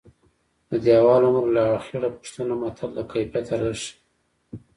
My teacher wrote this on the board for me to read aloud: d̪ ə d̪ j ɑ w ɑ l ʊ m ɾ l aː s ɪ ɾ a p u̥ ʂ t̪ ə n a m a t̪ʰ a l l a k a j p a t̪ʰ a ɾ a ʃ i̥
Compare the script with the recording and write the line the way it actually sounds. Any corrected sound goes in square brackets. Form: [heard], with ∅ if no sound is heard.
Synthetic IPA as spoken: d̪ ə d̪ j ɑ w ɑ l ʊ m ɾ l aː [x] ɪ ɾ a p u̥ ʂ t̪ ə n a m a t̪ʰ a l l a k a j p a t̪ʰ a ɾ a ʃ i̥